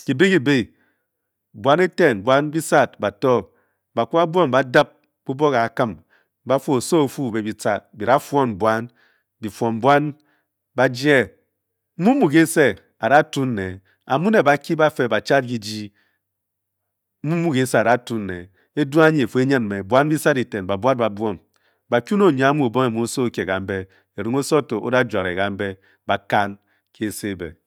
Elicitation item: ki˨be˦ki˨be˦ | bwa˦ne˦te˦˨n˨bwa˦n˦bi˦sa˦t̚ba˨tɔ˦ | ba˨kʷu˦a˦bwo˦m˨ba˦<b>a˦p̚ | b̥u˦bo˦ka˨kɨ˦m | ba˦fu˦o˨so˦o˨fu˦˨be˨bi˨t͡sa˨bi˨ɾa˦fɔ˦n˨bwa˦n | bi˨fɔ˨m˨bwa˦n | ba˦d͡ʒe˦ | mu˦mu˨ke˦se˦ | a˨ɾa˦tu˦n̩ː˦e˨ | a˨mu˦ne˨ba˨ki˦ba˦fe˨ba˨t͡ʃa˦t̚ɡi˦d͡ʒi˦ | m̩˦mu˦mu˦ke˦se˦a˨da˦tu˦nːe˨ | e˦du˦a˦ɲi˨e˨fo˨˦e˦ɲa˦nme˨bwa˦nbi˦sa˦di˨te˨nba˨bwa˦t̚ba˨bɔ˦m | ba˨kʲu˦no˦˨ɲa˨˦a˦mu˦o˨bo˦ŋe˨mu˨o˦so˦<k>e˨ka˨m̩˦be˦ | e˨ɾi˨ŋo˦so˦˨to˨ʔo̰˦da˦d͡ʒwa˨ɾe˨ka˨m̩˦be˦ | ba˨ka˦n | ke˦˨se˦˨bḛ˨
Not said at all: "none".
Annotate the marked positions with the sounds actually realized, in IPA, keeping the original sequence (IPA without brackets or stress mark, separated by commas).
d, k